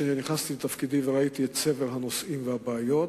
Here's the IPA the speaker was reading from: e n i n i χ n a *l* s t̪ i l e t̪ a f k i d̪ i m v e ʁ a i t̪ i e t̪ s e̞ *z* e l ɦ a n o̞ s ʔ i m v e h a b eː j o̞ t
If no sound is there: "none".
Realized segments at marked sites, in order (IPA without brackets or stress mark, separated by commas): none, v